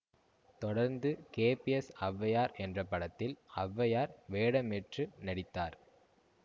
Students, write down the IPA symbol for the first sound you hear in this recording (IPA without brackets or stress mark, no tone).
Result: t̪